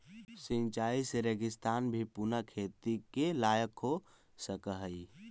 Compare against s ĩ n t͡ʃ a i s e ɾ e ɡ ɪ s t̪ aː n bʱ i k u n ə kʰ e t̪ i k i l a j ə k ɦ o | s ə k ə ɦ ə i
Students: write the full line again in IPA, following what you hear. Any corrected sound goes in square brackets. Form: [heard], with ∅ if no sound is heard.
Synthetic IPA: s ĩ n t͡ʃ a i s e ɾ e ɡ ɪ s t̪ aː n bʱ i [p] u n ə kʰ e t̪ i k [e] l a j ə k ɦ o | s ə k ə ɦ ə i